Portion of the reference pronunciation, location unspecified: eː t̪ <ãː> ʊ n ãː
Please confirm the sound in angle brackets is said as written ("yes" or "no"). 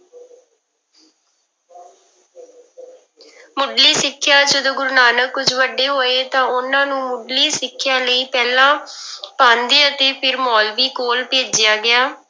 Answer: yes